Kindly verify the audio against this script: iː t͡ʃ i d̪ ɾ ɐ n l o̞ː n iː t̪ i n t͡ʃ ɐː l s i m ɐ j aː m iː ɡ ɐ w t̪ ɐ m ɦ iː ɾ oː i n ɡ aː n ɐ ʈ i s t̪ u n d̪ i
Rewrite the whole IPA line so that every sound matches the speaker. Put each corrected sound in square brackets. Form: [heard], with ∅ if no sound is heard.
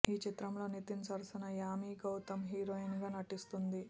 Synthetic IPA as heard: iː t͡ʃ i [t̪] ɾ ɐ [m] l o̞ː n [i] t̪ i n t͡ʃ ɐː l s i [n] ɐ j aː m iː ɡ ɐ w t̪ ɐ m ɦ iː ɾ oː i n ɡ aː n ɐ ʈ i s t̪ u n d̪ i